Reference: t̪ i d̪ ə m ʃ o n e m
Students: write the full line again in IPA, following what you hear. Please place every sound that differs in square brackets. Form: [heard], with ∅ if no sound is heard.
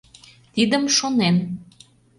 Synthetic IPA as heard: t̪ i d̪ ə m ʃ o n e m

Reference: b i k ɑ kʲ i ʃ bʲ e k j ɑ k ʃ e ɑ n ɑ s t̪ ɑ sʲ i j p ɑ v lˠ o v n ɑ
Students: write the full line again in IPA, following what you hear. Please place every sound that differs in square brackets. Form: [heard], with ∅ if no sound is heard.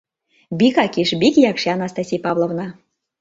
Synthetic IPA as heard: b i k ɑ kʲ i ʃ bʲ [i] k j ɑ k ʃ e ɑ n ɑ s t̪ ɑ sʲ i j p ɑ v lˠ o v n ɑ

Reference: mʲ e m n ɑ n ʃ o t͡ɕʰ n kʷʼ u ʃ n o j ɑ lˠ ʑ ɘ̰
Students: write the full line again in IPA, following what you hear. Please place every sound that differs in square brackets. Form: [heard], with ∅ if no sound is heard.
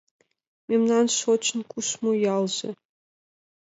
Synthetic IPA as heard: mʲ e m n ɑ n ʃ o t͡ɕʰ n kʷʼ u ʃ [m] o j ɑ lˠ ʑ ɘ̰

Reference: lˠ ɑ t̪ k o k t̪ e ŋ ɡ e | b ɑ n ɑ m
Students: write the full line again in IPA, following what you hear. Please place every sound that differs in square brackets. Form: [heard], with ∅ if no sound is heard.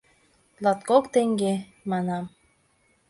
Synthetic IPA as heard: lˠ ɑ t̪ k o k t̪ e ŋ ɡ e | [m] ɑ n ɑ m

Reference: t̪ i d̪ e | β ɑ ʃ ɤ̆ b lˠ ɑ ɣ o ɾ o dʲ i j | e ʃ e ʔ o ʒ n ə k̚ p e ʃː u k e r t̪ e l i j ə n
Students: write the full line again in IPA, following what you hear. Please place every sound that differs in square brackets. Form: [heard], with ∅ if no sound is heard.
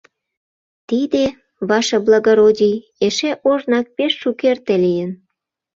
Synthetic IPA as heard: t̪ i d̪ e | β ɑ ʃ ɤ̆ b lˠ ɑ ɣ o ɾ o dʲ i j | e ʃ e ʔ o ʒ n [ɑ] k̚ p e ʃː u k e r t̪ e l i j ə n

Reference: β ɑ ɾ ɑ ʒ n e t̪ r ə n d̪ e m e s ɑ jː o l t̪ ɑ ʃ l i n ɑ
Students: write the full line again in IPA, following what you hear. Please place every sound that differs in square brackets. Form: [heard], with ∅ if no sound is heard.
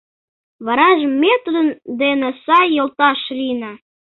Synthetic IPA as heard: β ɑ ɾ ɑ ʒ [m] e t̪ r ə n d̪ e [n] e s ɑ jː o l t̪ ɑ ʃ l i n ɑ

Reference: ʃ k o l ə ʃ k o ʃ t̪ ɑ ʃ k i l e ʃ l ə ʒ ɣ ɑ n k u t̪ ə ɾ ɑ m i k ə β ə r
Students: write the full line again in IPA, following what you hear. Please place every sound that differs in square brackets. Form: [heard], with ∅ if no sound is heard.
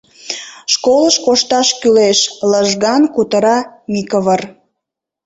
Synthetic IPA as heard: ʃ k o l ə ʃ k o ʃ t̪ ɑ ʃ k [y] l e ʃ l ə ʒ ɣ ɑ n k u t̪ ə ɾ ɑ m i k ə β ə r

